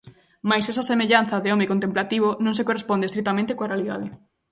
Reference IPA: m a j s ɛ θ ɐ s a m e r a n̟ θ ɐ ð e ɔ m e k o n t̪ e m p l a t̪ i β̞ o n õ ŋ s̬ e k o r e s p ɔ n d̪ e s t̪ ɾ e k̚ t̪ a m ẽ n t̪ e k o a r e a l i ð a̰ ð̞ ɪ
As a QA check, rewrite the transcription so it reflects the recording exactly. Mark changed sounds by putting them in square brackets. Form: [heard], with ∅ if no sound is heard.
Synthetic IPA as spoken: m a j s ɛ [s] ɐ s [e] m e [ʎ] a n̟ θ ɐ ð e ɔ m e k o n t̪ e m p l a t̪ i β̞ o n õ ŋ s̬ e k o r e s p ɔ n d̪ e s t̪ ɾ [i] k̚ t̪ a m ẽ n t̪ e k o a r e a l i ð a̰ ð̞ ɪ

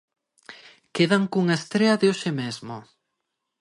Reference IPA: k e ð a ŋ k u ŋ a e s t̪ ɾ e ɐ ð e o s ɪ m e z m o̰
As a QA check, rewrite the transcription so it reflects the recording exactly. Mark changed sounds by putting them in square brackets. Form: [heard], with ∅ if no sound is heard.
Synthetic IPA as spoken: k e ð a ŋ k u ŋ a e s t̪ ɾ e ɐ ð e o [ʃ] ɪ m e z m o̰

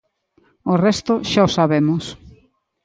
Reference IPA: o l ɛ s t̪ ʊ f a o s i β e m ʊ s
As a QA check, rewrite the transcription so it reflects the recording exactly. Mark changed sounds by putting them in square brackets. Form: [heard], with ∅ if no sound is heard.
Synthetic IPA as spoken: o [r] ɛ s t̪ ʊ [ʃ] a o s [a] β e m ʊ s

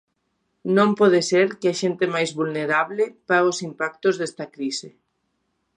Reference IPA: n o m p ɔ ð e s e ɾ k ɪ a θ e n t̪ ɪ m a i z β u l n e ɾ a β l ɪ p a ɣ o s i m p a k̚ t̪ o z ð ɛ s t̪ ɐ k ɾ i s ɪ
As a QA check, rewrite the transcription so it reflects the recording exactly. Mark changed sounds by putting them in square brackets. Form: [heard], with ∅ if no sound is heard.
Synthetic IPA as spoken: n [õ] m p ɔ ð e s e ɾ k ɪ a [ʃ] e n t̪ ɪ m a [j] z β u l n e ɾ a β l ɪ p a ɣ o s i m p a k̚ t̪ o z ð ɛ s t̪ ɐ k ɾ i s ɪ

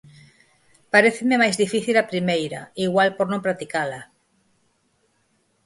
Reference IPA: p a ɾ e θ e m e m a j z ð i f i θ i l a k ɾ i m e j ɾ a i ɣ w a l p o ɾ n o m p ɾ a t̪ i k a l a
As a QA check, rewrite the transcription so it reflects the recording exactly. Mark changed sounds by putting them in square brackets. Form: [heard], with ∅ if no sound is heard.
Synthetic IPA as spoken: p a ɾ e θ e m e m a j z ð i f i θ i l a [p] ɾ i m e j ɾ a i ɣ w a l p o ɾ n [õ] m p ɾ a t̪ i k a l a

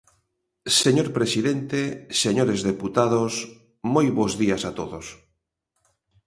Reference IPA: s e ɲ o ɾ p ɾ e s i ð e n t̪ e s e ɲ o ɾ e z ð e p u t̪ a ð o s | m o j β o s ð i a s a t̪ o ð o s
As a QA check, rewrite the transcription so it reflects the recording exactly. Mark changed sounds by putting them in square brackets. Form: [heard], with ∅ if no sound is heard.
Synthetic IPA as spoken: s e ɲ o ɾ p ɾ e s i ð e n t̪ e s e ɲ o ɾ e z ð e p u t̪ a ð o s | m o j β o [z] ð i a s a t̪ o ð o s

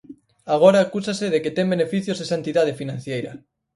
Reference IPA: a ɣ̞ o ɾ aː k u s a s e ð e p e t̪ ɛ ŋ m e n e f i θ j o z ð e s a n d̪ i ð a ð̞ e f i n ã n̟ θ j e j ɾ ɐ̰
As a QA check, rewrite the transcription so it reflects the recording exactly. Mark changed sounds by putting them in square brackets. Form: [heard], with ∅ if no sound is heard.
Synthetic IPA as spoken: a ɣ̞ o ɾ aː k u s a s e ð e [k] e t̪ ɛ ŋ [b] e n e f i θ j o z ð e s a n [t̪] i ð a ð̞ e f i n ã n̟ θ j e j ɾ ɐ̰

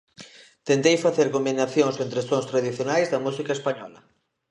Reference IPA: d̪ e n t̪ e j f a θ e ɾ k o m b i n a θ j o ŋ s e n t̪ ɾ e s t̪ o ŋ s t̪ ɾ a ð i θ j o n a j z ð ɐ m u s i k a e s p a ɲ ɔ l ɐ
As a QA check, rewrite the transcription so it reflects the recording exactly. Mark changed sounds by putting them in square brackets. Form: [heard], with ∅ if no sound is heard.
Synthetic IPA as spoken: [t̪] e n t̪ e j f a θ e ɾ k o m b i n a θ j o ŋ s e n t̪ ɾ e s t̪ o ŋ s t̪ ɾ a ð i θ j o n a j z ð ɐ m u s i k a e s p a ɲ ɔ l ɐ

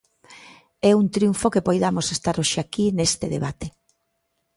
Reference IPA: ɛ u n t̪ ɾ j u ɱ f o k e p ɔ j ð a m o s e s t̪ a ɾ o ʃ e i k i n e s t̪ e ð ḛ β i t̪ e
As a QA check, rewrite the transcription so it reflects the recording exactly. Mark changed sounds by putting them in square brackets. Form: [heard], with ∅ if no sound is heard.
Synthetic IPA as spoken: ɛ u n t̪ ɾ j u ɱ f o k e p [o] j ð a m o s e s t̪ a ɾ o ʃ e [a] k i n e s t̪ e ð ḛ β [a] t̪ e

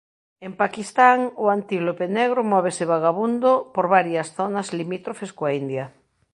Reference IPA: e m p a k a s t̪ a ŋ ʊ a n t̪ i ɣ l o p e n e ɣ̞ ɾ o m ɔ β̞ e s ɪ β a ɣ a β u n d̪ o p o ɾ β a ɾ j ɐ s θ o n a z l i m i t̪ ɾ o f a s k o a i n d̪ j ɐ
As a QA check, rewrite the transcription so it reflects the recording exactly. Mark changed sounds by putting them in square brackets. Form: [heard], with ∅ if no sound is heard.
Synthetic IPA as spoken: e m p a k [i] s t̪ a ŋ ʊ a n t̪ i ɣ l o p e n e ɣ̞ ɾ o m ɔ β̞ e s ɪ β a ɣ a β u n d̪ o p o ɾ β a ɾ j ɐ s θ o n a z l i m i t̪ ɾ o f [e] s k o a i n d̪ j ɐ

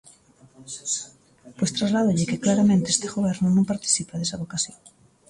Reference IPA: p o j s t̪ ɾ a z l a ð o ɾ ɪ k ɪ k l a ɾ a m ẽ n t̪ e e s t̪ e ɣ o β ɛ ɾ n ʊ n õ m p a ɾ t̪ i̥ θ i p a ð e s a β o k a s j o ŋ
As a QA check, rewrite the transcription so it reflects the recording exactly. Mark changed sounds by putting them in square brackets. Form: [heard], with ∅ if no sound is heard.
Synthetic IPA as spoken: p o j s t̪ ɾ a z l a ð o [ʎ] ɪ k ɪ k l a ɾ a m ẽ n t̪ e e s t̪ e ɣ o β ɛ ɾ n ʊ n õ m p a ɾ t̪ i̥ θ i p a ð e s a β o k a s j o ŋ

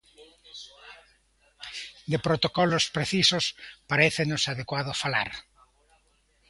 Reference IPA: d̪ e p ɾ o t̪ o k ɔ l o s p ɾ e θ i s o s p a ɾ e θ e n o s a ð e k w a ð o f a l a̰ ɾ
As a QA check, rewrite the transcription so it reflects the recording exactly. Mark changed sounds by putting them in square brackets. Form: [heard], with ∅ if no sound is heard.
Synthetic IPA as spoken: d̪ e p ɾ o t̪ o k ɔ l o s p ɾ e θ i s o s p a ɾ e θ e n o s a ð e k w a ð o f a l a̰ ɾ

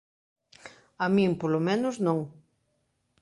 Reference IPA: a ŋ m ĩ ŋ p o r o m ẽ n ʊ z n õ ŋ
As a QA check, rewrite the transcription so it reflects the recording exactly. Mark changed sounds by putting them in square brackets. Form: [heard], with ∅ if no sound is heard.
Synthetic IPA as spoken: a [∅] m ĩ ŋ p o [l] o m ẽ n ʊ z n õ ŋ

